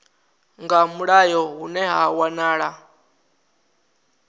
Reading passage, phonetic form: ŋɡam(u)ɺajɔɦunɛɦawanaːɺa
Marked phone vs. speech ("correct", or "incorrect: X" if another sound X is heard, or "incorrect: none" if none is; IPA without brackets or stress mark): correct